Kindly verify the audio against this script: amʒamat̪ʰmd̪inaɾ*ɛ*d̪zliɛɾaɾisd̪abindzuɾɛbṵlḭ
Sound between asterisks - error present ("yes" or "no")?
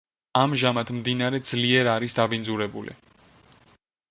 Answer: no